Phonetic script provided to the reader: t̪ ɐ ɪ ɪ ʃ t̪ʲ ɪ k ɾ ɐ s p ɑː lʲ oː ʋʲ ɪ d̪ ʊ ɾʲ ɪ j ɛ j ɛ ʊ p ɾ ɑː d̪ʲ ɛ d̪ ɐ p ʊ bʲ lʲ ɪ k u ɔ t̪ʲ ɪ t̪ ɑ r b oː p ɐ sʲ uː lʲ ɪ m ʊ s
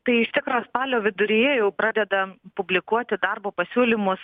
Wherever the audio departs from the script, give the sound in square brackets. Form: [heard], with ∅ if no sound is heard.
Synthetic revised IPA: t̪ ɐ ɪ ɪ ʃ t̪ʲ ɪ k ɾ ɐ s p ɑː lʲ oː ʋʲ ɪ d̪ ʊ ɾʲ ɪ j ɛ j ɛ ʊ p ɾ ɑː d̪ʲ ɛ d̪ ɐ p ʊ bʲ lʲ ɪ k u ɔ t̪ʲ ɪ [d̪] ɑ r b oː p ɐ sʲ uː lʲ ɪ m ʊ s